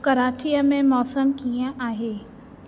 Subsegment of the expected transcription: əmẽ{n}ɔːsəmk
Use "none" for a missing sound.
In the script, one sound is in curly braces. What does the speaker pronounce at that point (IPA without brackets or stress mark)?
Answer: m